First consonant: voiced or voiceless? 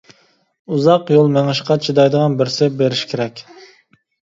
voiced